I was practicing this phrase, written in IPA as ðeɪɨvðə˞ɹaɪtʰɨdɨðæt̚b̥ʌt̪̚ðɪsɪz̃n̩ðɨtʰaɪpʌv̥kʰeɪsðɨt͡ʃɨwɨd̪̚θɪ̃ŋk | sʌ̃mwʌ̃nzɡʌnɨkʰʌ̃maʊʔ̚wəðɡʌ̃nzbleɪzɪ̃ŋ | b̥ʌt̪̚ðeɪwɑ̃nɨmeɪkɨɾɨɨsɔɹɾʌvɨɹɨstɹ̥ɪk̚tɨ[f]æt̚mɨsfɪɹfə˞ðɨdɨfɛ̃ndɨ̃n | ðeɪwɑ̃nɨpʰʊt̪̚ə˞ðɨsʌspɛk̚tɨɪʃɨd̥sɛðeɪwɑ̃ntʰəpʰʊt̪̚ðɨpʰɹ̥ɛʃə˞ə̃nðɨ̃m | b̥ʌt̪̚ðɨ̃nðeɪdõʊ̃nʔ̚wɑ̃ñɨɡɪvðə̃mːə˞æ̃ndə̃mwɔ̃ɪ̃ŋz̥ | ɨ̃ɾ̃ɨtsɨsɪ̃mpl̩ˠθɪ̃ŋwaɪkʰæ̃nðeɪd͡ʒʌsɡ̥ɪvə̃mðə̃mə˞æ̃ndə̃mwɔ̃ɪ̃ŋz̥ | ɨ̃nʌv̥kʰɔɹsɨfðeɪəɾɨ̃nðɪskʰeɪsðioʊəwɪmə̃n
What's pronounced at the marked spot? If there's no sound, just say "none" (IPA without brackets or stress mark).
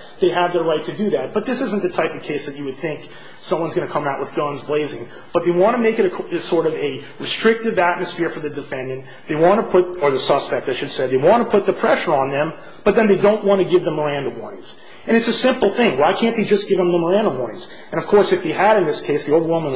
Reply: v